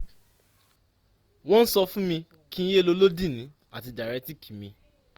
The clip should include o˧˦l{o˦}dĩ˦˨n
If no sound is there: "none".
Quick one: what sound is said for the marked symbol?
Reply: o˦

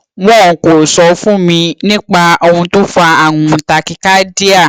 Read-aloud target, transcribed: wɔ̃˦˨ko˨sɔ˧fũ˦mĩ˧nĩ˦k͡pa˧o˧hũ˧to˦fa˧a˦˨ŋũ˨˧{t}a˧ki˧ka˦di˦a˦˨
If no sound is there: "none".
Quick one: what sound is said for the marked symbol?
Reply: t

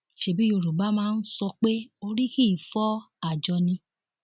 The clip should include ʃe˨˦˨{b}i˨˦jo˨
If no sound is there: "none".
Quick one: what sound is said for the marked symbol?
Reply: b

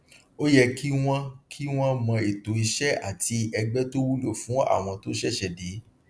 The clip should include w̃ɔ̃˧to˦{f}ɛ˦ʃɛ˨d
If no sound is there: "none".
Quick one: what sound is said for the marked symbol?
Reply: ʃ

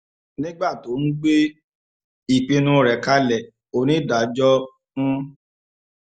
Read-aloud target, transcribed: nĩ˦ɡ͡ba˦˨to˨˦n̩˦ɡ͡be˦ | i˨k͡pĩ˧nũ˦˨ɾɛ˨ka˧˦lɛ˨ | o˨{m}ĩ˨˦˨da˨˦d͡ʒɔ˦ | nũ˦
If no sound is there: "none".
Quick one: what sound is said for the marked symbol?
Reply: n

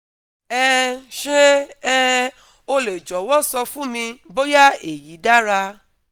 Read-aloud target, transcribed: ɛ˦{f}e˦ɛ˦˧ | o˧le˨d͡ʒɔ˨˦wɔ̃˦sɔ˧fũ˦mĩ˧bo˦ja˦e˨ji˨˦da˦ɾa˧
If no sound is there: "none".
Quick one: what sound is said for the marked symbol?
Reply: ʃ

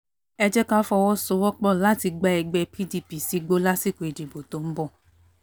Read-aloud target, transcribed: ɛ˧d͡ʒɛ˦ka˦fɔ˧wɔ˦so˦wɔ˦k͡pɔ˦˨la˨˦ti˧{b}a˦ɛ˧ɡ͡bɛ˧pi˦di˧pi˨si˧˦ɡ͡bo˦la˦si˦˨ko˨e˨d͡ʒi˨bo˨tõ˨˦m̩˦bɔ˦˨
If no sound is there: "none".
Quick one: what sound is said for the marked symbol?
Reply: ɡ͡b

